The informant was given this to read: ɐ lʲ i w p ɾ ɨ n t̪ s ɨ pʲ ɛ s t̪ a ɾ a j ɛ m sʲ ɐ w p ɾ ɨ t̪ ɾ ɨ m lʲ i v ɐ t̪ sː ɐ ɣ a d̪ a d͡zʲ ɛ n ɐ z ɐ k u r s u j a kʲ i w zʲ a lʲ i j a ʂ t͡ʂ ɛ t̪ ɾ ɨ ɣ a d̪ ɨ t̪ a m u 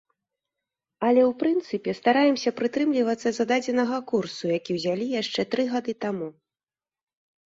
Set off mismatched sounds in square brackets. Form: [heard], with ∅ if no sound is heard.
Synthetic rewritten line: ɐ lʲ [ɛ] w p ɾ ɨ n t̪ s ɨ pʲ ɛ s t̪ a ɾ a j ɛ m sʲ ɐ [∅] p ɾ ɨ t̪ ɾ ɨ m lʲ i v ɐ t̪ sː ɐ [z] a d̪ a d͡zʲ ɛ n ɐ [ɣ] ɐ k u r s u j a kʲ i w zʲ a lʲ i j a ʂ t͡ʂ ɛ t̪ ɾ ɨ ɣ a d̪ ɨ t̪ a m u